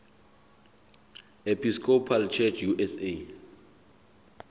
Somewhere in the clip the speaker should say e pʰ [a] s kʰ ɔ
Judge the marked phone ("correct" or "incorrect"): incorrect